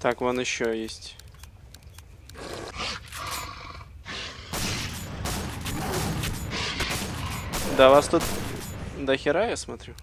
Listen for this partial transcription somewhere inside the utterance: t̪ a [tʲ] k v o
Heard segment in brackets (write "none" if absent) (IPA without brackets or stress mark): none